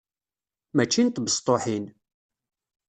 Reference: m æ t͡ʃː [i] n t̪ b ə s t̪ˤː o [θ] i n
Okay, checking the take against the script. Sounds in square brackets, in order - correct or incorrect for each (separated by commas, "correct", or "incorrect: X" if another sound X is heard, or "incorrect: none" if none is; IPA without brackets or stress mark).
correct, incorrect: ħ